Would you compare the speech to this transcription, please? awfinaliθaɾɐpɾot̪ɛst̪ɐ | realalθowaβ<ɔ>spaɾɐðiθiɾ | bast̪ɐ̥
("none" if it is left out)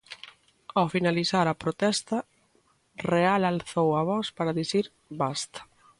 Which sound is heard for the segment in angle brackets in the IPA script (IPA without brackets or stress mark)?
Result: ɔ